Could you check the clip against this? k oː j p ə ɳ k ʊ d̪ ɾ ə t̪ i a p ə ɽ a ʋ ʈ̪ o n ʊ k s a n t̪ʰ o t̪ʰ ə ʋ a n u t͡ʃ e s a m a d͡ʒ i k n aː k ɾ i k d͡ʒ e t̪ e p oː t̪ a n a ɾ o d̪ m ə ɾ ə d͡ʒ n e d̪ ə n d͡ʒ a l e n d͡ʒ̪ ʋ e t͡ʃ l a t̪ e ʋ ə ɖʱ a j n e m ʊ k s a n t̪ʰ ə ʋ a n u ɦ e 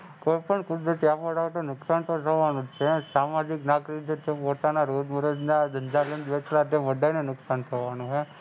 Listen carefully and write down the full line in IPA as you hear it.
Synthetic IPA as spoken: k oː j p ə ɳ k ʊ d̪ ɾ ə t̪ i a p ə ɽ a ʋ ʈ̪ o n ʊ k s a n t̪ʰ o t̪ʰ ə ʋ a n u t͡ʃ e s a m a d͡ʒ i k n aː k ɾ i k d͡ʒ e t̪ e p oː t̪ a n a ɾ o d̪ m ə ɾ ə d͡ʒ n a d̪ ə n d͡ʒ a l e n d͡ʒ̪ ʋ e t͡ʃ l a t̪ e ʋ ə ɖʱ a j n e n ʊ k s a n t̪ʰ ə ʋ a n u ɦ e